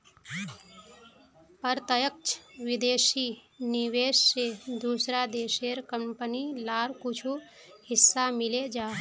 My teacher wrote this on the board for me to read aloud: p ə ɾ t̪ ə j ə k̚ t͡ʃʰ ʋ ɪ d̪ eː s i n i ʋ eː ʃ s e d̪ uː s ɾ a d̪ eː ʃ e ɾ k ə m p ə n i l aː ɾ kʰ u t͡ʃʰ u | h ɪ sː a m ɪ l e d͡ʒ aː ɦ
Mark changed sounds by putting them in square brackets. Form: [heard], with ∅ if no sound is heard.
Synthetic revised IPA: p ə ɾ t̪ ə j ə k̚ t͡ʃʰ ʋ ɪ d̪ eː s i n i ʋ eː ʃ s e d̪ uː s ɾ a d̪ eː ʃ e ɾ k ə m p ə n i l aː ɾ [k] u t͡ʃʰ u | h ɪ sː a m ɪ l e d͡ʒ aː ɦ

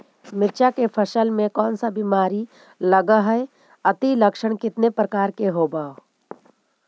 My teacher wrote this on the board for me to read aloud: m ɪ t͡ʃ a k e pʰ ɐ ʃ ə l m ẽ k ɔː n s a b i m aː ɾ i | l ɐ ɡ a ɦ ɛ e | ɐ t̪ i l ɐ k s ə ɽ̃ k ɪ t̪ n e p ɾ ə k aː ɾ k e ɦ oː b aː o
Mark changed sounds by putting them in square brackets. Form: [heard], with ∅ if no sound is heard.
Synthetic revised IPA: m ɪ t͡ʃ a k e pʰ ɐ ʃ ə l m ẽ k ɔː n s a b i m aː ɾ i | l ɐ ɡ a ɦ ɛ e | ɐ t̪ i l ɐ k [ʃ] ə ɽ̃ k ɪ t̪ n e p ɾ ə k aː ɾ k e ɦ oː b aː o

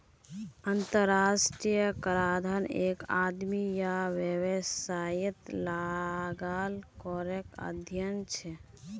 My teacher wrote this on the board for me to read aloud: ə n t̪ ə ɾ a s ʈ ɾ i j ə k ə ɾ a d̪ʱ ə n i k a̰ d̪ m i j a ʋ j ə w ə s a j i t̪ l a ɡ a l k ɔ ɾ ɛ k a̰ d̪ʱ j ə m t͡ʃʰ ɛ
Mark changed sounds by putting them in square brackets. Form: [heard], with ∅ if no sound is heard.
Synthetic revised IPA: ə n t̪ ə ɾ a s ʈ ɾ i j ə k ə ɾ a d̪ʱ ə n [e] k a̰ d̪ m i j a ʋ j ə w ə s a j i t̪ l a ɡ a l k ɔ ɾ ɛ k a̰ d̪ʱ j ə [n] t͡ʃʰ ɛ

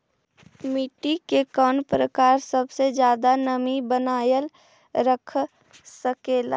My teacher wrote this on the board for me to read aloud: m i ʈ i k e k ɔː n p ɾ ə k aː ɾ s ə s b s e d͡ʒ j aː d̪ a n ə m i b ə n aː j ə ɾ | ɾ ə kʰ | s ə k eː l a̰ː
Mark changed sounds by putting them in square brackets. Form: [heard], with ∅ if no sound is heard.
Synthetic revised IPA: m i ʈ i k e k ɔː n p ɾ ə k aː ɾ s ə [∅] b s e d͡ʒ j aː d̪ a n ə m i b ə n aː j ə [l] | ɾ ə kʰ | s ə k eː l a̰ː

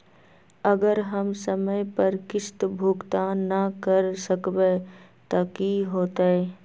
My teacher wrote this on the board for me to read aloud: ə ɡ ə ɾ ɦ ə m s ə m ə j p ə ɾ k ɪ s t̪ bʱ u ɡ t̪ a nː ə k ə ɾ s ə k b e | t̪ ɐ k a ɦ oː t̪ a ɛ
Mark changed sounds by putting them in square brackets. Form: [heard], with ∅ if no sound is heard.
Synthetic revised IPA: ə ɡ ə ɾ ɦ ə m s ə m ə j p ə ɾ k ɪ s t̪ bʱ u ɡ t̪ a [n] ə k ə ɾ s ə k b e | t̪ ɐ k [i] ɦ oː t̪ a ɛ

